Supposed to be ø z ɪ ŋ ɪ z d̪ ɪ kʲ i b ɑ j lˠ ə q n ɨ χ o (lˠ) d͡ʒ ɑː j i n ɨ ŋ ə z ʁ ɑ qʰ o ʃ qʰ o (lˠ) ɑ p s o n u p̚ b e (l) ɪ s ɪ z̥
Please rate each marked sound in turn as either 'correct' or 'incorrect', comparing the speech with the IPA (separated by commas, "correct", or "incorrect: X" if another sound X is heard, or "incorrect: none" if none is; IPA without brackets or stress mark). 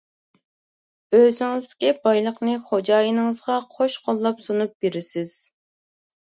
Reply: incorrect: none, incorrect: lˠː, incorrect: ɾ